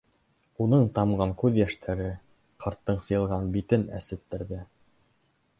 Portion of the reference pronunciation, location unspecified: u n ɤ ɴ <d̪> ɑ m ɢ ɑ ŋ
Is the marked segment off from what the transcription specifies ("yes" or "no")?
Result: yes